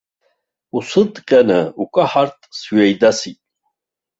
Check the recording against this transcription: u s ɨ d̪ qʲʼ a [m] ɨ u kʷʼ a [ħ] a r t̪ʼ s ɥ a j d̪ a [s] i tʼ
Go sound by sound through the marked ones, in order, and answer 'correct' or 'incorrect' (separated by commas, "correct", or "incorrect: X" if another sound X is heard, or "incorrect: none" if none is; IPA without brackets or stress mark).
incorrect: n, correct, correct